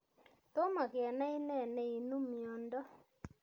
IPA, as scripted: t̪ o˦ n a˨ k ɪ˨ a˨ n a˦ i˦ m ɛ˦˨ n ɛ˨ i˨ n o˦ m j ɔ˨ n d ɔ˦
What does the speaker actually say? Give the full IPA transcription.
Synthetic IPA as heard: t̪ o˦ m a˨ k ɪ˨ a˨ n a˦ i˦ n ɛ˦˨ n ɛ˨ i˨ n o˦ m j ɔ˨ n d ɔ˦